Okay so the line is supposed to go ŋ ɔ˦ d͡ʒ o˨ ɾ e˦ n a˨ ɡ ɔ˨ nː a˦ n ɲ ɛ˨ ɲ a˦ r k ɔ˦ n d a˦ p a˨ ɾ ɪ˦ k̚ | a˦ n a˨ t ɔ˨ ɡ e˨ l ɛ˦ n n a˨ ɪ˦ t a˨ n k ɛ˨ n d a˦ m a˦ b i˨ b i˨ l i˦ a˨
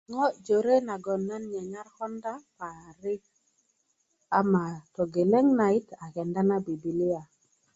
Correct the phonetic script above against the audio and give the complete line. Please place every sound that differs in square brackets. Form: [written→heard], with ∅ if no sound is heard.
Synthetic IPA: ŋ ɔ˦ d͡ʒ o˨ ɾ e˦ n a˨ ɡ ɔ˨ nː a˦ n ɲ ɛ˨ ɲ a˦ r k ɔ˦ n d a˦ p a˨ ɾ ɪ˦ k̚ | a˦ [n→m] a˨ t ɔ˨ ɡ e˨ l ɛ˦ [n→ŋ] n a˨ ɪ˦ t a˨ [n→∅] k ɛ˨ n d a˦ [m→n] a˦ b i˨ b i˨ l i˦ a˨